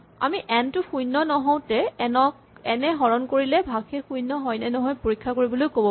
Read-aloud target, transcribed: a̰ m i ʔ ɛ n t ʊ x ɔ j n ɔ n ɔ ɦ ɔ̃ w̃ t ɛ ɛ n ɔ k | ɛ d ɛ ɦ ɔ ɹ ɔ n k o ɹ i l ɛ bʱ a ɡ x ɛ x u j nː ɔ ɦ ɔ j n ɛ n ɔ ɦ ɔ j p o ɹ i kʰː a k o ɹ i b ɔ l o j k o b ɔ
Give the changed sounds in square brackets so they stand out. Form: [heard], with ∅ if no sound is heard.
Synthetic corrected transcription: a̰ m i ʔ ɛ n t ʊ x [u] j n ɔ n ɔ ɦ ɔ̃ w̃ t ɛ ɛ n ɔ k | ɛ [n] ɛ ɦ ɔ ɹ ɔ n k o ɹ i l ɛ bʱ a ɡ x ɛ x u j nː ɔ ɦ ɔ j n ɛ n ɔ ɦ ɔ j p o ɹ i kʰː a k o ɹ i b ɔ l o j k o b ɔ

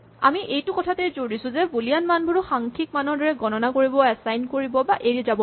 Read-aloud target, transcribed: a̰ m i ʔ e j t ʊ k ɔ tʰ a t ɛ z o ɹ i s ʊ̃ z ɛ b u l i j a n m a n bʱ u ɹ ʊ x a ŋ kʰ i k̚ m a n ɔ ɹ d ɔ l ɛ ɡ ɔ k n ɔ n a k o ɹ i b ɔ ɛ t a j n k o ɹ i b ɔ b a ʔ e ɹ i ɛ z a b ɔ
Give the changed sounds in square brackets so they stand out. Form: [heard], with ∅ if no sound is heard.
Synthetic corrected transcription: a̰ m i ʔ e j t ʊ k ɔ tʰ a t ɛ z o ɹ i s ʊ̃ z ɛ b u l i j a n m a n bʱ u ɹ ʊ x a ŋ kʰ i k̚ m a n ɔ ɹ d ɔ [ɹ] ɛ ɡ ɔ [∅] n ɔ n a k o ɹ i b ɔ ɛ [s] a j n k o ɹ i b ɔ b a ʔ e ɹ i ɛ z a b ɔ

